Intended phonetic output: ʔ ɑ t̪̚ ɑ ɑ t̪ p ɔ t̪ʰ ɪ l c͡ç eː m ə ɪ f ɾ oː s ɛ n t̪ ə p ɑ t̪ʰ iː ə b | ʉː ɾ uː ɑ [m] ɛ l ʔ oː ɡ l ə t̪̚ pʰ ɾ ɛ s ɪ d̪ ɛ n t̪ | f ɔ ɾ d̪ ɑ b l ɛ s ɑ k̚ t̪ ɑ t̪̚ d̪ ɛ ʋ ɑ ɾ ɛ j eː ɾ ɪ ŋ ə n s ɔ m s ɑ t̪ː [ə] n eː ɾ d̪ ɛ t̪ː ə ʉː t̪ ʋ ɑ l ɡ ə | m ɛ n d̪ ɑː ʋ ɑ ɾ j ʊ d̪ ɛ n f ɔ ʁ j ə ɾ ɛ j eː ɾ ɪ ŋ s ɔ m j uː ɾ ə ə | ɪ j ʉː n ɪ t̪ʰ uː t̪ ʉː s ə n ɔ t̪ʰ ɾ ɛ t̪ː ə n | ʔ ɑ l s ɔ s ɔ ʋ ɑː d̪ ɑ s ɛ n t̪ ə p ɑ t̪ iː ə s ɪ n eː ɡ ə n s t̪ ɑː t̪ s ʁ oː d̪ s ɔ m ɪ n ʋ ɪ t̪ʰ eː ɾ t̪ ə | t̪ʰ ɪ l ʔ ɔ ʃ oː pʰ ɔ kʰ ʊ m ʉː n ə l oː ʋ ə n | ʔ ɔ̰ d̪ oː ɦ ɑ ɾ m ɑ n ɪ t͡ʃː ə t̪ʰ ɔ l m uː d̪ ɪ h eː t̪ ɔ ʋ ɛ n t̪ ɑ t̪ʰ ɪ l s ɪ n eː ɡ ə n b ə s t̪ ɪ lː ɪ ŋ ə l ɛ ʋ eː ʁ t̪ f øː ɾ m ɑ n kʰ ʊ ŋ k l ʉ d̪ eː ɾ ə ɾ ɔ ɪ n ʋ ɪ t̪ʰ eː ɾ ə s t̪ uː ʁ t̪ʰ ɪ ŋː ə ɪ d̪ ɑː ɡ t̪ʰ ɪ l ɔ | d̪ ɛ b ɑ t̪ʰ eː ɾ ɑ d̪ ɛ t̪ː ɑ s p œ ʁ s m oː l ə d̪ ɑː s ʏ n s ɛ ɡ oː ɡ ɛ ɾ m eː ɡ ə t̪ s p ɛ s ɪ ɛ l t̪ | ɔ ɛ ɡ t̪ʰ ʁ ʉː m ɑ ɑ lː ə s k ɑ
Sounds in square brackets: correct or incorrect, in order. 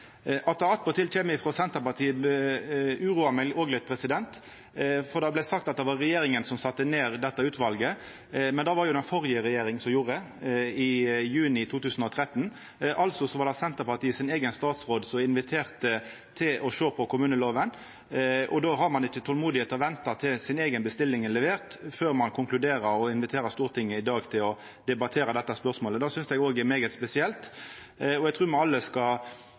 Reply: correct, correct

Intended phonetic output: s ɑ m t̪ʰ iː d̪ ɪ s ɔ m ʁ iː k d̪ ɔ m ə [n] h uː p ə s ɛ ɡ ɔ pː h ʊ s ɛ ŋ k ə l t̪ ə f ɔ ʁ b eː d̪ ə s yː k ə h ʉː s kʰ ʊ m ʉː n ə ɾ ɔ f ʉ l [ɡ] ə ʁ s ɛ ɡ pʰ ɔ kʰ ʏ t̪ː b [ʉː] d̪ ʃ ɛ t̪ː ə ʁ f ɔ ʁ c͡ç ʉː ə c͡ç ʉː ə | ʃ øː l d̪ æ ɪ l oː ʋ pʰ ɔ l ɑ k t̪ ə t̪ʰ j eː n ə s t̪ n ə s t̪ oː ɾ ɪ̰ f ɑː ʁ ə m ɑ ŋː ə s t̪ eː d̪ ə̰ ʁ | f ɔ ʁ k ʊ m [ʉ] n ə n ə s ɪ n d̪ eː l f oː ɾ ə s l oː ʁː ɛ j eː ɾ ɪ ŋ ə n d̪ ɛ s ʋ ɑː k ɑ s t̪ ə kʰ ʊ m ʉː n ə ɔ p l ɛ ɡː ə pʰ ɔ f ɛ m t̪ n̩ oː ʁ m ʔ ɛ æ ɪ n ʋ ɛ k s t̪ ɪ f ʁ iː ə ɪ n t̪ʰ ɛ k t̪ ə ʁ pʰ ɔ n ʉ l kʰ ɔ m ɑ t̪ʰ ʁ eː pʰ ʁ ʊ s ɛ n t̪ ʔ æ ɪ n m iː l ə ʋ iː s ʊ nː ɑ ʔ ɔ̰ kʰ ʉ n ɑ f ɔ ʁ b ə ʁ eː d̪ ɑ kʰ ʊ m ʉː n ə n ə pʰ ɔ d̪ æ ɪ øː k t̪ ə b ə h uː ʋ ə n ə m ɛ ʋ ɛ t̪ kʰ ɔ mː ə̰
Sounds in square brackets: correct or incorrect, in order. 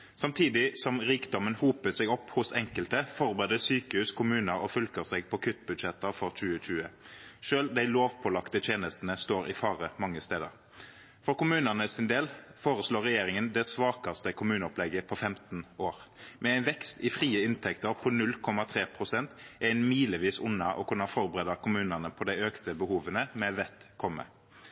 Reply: correct, incorrect: k, incorrect: ʉ, incorrect: ʉː

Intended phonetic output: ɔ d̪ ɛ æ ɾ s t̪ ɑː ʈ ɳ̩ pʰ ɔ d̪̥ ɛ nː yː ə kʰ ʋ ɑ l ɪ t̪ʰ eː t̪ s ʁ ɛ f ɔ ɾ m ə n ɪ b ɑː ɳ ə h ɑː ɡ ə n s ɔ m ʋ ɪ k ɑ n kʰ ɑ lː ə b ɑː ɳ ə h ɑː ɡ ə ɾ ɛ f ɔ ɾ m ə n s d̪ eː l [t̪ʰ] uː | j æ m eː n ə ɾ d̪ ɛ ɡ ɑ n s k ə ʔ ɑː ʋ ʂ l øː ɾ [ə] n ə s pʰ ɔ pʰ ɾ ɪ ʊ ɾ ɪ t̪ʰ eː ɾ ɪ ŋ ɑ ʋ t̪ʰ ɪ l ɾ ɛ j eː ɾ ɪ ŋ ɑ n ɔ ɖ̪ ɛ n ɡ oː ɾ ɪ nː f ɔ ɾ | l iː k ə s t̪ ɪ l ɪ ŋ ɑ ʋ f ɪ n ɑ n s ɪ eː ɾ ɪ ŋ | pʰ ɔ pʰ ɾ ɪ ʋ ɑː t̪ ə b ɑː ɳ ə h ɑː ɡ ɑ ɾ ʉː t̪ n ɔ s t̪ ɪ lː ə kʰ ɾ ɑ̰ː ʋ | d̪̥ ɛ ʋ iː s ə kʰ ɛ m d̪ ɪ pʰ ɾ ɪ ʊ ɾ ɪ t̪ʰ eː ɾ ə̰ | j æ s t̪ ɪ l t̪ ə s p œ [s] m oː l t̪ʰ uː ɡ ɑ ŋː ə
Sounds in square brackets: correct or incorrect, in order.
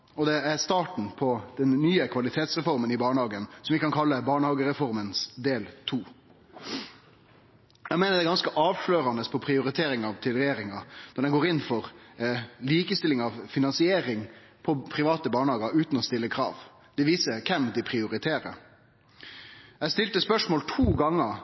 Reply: correct, incorrect: ɑ, incorrect: ʂ

